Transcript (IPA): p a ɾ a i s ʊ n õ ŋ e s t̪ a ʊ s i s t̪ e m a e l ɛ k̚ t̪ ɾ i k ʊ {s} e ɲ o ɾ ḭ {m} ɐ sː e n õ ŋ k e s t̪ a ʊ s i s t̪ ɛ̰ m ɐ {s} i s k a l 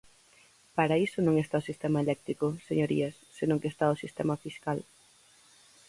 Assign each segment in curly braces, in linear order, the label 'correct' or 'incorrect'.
correct, incorrect, incorrect

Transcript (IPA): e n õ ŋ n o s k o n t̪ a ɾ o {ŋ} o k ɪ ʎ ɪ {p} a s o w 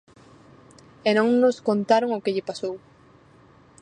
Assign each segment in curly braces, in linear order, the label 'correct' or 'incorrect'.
correct, correct

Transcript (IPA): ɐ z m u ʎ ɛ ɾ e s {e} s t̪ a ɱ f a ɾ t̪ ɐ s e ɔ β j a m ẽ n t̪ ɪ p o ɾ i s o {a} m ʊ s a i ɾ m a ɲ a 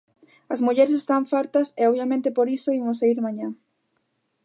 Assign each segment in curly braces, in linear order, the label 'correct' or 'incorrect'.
correct, incorrect

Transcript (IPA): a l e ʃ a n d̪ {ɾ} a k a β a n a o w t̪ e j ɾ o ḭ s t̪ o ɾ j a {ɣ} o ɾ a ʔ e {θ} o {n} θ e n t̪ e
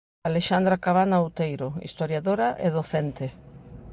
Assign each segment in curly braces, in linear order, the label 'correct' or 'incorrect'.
correct, incorrect, incorrect, incorrect

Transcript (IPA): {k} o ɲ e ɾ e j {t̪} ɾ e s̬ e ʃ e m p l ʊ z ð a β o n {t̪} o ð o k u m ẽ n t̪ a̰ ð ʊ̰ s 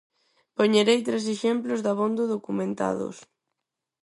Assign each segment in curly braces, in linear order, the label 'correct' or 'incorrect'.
incorrect, correct, incorrect

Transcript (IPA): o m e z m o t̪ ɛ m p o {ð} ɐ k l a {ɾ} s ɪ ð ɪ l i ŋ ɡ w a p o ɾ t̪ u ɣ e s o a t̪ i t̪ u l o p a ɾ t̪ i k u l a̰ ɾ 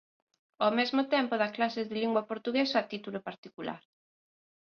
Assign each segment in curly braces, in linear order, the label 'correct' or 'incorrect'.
correct, incorrect

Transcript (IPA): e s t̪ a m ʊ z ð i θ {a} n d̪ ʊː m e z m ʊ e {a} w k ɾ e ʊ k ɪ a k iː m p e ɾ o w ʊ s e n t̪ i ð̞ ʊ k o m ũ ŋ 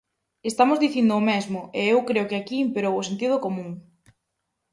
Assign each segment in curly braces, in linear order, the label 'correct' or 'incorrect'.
incorrect, incorrect

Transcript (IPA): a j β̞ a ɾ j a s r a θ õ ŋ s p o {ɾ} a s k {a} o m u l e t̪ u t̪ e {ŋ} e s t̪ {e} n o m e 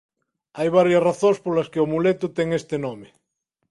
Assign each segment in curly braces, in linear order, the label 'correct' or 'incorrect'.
incorrect, incorrect, correct, correct

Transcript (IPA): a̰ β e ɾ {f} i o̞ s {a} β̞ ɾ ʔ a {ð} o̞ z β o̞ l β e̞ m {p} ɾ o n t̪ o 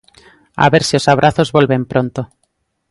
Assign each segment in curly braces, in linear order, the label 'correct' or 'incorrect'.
incorrect, correct, incorrect, correct

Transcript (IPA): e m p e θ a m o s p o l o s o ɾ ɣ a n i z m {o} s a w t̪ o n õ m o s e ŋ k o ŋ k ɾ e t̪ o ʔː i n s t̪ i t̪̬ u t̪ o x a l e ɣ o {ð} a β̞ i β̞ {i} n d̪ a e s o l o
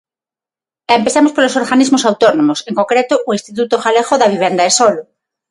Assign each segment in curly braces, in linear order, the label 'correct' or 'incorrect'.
correct, correct, incorrect

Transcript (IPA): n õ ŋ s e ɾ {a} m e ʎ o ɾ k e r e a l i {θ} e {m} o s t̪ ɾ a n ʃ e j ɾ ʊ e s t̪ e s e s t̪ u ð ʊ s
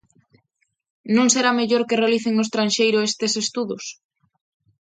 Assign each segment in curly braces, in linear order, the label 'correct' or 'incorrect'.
correct, correct, incorrect

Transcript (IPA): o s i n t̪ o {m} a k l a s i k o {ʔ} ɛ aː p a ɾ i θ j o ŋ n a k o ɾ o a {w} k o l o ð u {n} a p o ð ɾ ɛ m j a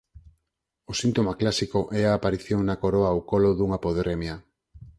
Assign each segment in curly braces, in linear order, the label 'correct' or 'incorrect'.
correct, correct, correct, incorrect

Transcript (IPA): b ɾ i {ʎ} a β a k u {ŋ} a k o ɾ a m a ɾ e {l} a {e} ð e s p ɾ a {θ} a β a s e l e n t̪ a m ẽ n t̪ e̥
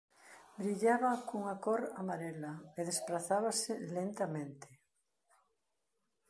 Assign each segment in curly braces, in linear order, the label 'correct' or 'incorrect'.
correct, correct, correct, correct, correct

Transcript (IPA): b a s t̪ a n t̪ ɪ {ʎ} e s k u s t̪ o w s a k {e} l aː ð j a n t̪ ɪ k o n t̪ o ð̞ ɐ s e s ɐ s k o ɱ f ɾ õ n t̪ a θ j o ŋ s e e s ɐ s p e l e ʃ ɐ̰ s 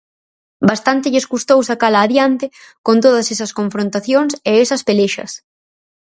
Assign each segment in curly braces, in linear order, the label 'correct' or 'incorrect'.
correct, incorrect

